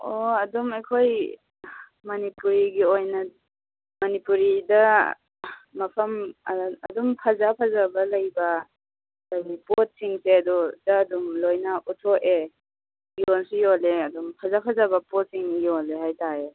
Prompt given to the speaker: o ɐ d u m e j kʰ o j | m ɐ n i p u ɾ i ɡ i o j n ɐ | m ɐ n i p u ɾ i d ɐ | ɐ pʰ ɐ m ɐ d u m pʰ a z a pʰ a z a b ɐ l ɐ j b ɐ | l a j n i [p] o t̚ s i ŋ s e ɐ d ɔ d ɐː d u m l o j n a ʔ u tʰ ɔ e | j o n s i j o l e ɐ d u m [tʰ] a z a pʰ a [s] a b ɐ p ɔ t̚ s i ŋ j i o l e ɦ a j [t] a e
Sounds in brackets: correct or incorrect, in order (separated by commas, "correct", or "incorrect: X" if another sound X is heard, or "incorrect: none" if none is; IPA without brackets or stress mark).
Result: correct, incorrect: pʰ, incorrect: z, correct